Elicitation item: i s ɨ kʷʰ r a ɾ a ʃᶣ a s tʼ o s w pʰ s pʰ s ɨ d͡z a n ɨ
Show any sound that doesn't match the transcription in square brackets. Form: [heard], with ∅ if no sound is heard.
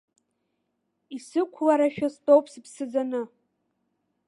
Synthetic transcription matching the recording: i s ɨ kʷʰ [l] a ɾ a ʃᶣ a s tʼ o [∅] w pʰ s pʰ s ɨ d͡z a n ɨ